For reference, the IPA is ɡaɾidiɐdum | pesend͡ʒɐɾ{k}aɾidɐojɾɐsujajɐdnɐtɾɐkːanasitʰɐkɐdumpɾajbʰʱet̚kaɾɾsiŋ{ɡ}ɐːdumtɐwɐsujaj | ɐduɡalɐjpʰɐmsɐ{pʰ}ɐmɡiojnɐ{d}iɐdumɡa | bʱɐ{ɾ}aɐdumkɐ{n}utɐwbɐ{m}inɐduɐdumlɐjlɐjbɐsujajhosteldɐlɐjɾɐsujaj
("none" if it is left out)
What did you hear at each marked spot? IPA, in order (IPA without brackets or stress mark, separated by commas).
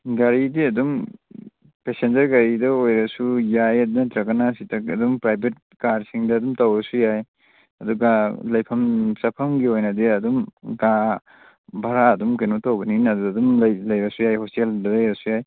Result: ɡ, d, pʰ, d, ɾ, n, n